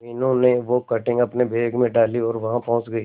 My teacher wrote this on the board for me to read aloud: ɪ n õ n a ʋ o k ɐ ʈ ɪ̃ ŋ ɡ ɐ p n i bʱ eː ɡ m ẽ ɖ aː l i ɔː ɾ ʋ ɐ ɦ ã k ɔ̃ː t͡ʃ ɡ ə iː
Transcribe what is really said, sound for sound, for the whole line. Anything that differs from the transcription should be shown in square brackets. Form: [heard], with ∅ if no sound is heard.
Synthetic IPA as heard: ɪ n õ n [e] ʋ o k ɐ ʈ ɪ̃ ŋ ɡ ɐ p n [e] bʱ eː ɡ m ẽ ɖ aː l i ɔː ɾ ʋ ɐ ɦ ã [p] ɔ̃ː t͡ʃ ɡ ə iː